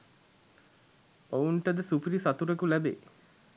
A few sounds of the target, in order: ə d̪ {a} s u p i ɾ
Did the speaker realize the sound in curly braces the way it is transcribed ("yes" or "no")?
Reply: no